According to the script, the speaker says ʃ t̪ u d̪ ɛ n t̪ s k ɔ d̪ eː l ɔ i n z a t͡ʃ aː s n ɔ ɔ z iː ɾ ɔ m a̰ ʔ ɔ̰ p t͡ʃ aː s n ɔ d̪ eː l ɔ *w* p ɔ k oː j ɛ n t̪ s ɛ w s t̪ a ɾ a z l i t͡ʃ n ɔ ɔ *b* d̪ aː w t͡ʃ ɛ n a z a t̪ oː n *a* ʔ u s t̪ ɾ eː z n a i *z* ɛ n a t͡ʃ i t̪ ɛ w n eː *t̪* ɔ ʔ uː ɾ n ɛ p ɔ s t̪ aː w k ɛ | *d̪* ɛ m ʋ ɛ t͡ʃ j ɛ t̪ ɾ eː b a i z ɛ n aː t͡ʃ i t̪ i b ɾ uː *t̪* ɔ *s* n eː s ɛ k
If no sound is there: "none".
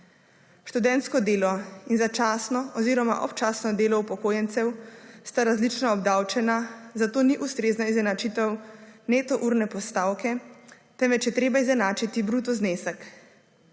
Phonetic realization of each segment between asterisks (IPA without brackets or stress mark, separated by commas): u, b, i, z, t̪, t̪, t̪, z